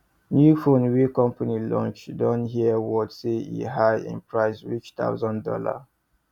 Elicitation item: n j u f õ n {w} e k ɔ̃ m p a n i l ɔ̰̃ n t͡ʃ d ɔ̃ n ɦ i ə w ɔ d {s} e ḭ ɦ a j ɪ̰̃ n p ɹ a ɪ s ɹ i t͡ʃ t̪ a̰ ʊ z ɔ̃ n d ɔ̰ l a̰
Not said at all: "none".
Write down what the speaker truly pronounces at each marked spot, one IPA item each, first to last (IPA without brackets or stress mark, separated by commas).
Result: w, s